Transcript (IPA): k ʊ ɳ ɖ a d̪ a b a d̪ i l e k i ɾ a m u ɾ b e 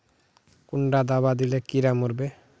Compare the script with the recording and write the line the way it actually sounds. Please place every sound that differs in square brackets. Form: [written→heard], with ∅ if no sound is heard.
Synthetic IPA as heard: k [ʊ→u] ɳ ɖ a d̪ a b a d̪ i l e k i ɾ a m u ɾ b e